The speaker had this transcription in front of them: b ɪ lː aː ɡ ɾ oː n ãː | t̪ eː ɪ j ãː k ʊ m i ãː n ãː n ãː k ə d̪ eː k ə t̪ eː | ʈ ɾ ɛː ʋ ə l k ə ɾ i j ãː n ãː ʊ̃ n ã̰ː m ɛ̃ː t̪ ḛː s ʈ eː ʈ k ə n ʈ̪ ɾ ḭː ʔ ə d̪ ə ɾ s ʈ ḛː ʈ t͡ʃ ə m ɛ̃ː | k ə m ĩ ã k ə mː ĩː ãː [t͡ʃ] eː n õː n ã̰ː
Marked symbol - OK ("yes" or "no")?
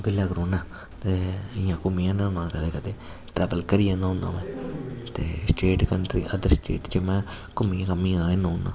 no